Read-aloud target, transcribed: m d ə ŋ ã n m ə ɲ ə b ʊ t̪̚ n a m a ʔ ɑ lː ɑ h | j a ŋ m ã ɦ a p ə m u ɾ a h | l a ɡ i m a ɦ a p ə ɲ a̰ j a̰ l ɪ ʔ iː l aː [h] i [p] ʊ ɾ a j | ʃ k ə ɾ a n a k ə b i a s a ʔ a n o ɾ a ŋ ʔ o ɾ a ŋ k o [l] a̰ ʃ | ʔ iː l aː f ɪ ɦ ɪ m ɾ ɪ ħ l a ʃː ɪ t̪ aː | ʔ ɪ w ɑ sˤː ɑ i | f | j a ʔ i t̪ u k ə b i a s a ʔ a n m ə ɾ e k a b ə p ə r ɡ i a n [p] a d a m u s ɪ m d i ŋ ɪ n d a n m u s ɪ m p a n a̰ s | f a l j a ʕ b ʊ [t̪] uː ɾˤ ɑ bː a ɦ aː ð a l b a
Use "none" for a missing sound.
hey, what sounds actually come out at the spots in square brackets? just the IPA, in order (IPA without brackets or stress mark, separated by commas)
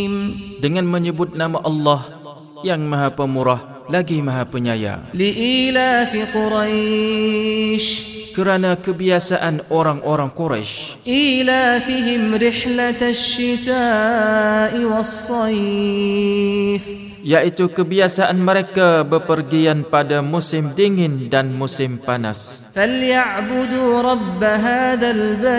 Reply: f, q, ɾ, p, d̪